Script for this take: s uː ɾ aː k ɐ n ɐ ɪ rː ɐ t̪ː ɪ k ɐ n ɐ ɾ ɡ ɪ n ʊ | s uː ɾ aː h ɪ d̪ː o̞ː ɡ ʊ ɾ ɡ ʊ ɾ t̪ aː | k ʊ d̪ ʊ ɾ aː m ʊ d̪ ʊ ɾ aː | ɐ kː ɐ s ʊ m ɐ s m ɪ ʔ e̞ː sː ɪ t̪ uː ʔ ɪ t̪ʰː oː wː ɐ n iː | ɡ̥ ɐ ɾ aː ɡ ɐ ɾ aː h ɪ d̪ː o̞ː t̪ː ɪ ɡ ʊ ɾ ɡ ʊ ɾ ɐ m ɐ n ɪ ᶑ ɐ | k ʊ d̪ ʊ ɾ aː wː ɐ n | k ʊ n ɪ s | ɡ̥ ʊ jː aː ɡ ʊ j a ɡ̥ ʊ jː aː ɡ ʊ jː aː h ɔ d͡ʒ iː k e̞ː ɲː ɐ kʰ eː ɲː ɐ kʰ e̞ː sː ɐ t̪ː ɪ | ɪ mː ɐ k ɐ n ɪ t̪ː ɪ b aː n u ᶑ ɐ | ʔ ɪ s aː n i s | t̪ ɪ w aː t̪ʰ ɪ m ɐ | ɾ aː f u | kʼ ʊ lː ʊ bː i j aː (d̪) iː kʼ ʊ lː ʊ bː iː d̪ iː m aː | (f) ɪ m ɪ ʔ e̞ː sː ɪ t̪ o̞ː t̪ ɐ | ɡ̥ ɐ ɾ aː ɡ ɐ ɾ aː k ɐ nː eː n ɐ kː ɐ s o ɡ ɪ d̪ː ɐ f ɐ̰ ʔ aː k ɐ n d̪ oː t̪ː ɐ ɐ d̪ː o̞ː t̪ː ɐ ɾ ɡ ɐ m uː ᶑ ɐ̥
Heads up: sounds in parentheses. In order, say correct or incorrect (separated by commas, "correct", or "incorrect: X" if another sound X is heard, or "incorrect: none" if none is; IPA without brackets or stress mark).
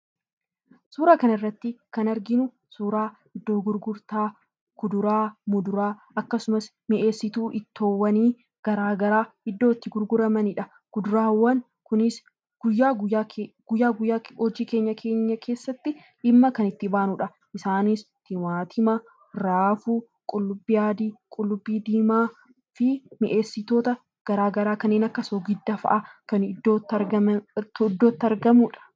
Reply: correct, correct